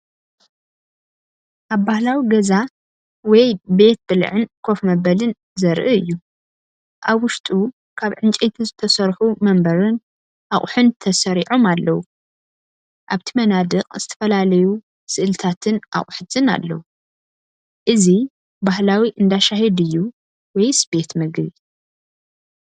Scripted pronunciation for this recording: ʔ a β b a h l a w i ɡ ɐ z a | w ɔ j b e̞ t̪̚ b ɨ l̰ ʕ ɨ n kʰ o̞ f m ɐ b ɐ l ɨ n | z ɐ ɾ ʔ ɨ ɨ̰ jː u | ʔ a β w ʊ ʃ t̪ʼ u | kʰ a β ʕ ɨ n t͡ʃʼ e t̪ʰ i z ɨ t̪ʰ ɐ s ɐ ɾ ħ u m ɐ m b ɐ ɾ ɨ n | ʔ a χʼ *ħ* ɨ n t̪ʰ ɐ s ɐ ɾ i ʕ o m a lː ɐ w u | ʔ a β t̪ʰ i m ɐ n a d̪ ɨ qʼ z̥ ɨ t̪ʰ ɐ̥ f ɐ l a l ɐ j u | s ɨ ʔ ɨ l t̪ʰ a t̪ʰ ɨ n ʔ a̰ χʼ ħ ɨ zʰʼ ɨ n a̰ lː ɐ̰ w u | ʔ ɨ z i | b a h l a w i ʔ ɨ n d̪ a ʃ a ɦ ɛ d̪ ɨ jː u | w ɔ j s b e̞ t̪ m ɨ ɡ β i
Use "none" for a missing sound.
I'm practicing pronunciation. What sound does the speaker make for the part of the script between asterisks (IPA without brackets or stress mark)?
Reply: ħ